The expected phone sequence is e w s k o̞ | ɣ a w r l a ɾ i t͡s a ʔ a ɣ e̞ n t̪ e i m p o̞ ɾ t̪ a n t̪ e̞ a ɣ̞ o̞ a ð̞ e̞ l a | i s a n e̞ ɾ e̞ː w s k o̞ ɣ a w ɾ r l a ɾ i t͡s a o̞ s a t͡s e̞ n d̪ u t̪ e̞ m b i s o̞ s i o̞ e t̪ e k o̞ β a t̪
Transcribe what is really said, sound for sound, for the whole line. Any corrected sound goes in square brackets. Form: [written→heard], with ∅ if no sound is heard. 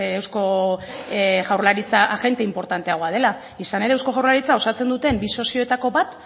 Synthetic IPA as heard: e w s k o̞ | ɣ a w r l a ɾ i t͡s a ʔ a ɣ e̞ n t̪ e i m p o̞ ɾ t̪ a n t̪ e̞ a ɣ̞ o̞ a ð̞ e̞ l a | i s a n e̞ ɾ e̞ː w s k o̞ ɣ a w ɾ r l a ɾ i t͡s a o̞ s a t͡s e̞ n d̪ u t̪ e̞ m b i s o̞ s i o̞ e t̪ [e→a] k o̞ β a t̪